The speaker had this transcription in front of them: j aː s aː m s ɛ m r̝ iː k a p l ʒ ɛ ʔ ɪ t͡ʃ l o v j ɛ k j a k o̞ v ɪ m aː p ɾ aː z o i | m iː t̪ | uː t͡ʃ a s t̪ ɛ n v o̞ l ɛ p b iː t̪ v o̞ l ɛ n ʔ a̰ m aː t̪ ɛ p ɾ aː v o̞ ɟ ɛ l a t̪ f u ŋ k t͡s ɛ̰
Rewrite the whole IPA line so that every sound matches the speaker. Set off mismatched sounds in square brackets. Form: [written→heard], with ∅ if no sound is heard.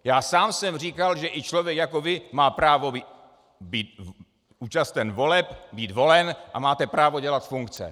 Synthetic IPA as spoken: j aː s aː m s ɛ m r̝ iː k a [p→∅] l ʒ ɛ ʔ ɪ t͡ʃ l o v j ɛ k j a k o̞ v ɪ m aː p ɾ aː [z→v] o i | [m→b] iː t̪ | uː t͡ʃ a s t̪ ɛ n v o̞ l ɛ p b iː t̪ v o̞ l ɛ n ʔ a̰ m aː t̪ ɛ p ɾ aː v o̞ ɟ ɛ l a t̪ f u ŋ k t͡s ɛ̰

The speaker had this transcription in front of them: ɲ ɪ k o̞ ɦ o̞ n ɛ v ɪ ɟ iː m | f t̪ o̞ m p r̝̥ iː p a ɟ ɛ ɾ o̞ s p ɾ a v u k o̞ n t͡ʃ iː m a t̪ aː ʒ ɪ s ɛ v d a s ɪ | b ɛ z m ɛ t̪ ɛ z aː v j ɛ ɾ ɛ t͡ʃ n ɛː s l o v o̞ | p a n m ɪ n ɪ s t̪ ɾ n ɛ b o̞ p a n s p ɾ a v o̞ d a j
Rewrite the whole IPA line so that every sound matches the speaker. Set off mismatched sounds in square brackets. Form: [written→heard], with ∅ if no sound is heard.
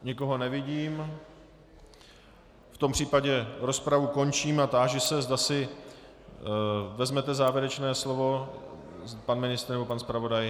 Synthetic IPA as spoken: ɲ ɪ k o̞ ɦ o̞ n ɛ v ɪ ɟ iː m | f t̪ o̞ m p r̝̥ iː p a ɟ ɛ ɾ o̞ s p ɾ a v u k o̞ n t͡ʃ iː m a t̪ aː ʒ ɪ s ɛ [v→z] d a s ɪ | [b→v] ɛ z m ɛ t̪ ɛ z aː v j ɛ ɾ ɛ t͡ʃ n ɛː s l o v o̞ | p a n m ɪ n ɪ s t̪ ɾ n ɛ b o̞ p a n s p ɾ a v o̞ d a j

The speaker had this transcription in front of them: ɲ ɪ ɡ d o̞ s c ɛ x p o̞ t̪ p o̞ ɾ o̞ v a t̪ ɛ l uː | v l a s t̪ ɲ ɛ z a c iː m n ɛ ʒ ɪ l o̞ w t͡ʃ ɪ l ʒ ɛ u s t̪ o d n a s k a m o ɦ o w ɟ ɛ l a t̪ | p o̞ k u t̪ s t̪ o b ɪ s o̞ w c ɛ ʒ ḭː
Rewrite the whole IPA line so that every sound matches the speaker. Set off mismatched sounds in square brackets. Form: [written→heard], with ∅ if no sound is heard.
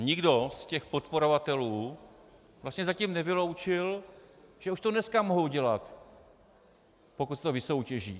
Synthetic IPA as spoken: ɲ ɪ ɡ d o̞ s c ɛ x p o̞ t̪ p o̞ ɾ o̞ v a t̪ ɛ l uː | v l a s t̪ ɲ ɛ z a c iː m n ɛ [ʒ→v] ɪ l o̞ w t͡ʃ ɪ l ʒ ɛ u [s→ʃ] t̪ o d n [a→ɛ] s k a m o ɦ o w ɟ ɛ l a t̪ | p o̞ k u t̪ s t̪ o [b→v] ɪ s o̞ w c ɛ ʒ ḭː

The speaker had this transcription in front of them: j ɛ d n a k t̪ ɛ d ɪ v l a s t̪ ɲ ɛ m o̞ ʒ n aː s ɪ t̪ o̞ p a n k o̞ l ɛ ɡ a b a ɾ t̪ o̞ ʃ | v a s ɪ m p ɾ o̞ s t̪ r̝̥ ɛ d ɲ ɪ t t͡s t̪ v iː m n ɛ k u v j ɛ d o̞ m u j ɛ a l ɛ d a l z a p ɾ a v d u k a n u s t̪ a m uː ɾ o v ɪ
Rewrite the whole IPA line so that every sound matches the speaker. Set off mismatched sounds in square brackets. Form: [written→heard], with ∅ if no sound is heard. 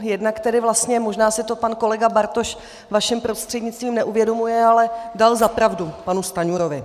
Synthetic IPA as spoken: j ɛ d n a k t̪ ɛ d ɪ v l a s t̪ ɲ ɛ m o̞ ʒ n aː s ɪ t̪ o̞ p a n k o̞ l ɛ ɡ a b a ɾ t̪ o̞ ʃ | v a [s→ʃ] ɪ m p ɾ o̞ s t̪ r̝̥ ɛ d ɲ ɪ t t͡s t̪ v iː m n ɛ [k→ʔ] u v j ɛ d o̞ m u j ɛ a l ɛ d a l z a p ɾ a v d u [k→p] a n u s t̪ a [m→ɲ] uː ɾ o v ɪ

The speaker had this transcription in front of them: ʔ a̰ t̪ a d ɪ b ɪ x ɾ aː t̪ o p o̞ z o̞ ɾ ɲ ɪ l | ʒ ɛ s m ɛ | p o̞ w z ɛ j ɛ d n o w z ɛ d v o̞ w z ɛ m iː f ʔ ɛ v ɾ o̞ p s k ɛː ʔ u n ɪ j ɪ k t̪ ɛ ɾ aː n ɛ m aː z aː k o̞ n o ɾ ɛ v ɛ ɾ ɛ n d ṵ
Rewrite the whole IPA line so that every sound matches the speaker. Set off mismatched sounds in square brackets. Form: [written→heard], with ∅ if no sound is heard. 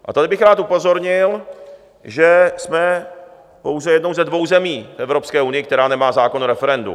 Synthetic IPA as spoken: ʔ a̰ t̪ a d ɪ b ɪ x ɾ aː t̪ [o→u] p o̞ z o̞ ɾ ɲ ɪ l | ʒ ɛ s m ɛ | p o̞ w z ɛ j ɛ d n o w z ɛ d v o̞ w z ɛ m iː f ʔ ɛ v ɾ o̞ p s k ɛː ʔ u n ɪ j ɪ k t̪ ɛ ɾ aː n ɛ m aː z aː k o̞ n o ɾ ɛ [v→f] ɛ ɾ ɛ n d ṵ

